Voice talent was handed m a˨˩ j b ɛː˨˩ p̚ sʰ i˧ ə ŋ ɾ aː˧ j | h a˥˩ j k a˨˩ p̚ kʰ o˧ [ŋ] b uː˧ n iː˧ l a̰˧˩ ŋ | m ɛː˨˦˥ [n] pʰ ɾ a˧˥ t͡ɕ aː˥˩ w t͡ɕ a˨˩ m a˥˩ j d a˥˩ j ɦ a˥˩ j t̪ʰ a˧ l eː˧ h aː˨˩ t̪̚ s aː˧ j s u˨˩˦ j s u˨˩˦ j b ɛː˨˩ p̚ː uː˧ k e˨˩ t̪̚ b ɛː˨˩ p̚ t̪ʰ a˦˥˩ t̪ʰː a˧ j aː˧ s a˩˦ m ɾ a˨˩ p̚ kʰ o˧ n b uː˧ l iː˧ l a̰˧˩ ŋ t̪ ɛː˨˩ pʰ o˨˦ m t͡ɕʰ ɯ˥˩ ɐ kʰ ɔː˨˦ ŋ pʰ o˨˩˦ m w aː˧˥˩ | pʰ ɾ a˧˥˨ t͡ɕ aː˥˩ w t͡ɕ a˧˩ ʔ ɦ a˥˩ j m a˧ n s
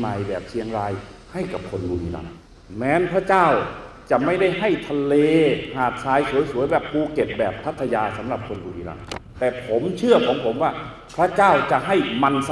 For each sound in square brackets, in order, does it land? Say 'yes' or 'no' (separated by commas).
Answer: no, yes